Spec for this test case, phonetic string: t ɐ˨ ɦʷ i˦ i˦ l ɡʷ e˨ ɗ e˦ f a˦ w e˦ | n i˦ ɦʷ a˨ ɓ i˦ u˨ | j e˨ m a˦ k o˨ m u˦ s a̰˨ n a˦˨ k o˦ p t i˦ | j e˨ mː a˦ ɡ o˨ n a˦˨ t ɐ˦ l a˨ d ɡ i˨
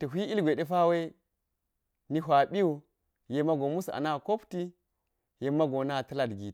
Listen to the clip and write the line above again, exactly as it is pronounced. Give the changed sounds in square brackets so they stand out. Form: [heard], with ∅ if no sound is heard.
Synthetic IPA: t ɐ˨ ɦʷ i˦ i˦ l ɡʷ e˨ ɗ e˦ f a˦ w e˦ | n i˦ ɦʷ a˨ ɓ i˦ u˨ | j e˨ m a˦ [ɡ] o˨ m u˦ s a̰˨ n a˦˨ k o˦ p t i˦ | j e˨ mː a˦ ɡ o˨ n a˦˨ t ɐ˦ l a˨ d ɡ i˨